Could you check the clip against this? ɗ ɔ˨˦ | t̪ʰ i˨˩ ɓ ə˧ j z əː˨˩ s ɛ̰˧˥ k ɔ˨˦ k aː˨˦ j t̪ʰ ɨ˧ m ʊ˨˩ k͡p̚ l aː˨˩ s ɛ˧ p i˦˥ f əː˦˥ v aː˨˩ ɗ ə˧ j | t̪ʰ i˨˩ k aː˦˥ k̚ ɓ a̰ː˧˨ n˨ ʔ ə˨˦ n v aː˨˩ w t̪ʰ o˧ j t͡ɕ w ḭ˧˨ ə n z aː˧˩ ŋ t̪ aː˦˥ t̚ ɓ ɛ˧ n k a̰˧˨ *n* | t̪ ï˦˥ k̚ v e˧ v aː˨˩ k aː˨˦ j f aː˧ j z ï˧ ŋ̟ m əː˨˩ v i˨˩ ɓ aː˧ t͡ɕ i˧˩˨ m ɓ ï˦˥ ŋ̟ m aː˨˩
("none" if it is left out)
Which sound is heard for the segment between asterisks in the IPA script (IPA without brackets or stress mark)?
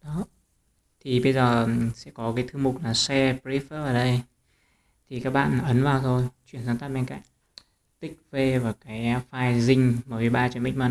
ŋ